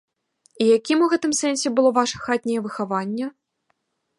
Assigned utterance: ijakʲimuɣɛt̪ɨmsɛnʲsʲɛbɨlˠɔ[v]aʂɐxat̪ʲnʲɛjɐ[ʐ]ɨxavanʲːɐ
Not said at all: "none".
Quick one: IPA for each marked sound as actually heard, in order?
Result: v, v

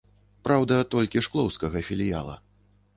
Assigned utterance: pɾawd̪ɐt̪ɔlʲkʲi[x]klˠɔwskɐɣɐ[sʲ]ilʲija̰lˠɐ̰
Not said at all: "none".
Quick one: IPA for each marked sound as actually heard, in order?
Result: ʂ, fʲ

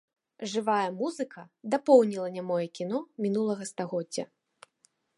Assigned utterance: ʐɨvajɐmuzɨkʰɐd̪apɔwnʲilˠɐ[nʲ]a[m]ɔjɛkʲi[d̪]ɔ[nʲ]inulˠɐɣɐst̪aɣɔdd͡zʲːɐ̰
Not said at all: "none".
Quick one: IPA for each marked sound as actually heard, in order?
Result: nʲ, m, n̪, mʲ

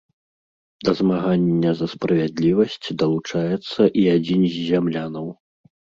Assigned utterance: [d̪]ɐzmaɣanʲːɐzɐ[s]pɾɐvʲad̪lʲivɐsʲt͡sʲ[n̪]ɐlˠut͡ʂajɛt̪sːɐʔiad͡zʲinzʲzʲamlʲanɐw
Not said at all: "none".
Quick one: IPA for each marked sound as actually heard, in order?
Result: d̪, s, d̪

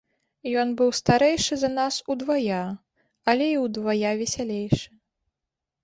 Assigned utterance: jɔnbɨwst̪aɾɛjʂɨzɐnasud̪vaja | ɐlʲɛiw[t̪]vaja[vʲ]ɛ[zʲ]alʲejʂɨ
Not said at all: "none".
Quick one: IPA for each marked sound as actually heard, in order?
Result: d̪, vʲ, sʲ

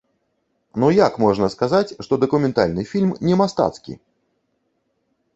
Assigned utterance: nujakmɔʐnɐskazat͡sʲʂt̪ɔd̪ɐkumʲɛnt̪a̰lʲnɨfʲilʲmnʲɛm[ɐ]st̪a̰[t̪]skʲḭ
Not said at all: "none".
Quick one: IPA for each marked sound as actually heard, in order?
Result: a, t̪

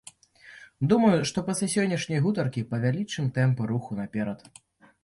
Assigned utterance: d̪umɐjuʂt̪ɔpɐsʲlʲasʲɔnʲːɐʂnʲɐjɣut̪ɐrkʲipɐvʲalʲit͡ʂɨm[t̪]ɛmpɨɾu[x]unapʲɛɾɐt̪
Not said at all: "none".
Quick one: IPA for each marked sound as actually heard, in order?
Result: t̪, x

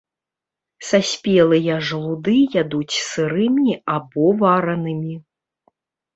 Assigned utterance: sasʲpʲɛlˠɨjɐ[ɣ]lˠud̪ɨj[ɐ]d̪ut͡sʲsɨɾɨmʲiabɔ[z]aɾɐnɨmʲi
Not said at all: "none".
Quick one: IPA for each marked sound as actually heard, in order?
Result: ʐ, a, v

